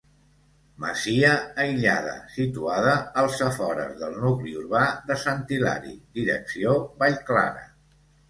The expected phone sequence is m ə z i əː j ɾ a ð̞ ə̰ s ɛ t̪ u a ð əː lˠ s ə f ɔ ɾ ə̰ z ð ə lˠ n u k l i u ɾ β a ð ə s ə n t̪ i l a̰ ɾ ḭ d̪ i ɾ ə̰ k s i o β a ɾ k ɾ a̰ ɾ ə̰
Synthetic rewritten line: m ə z i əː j ʎ a ð̞ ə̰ s i t̪ u a ð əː lˠ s ə f ɔ ɾ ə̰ z ð ə lˠ n u k l i u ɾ β a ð ə s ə n t̪ i l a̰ ɾ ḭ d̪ i ɾ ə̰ k s i o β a ʎ k l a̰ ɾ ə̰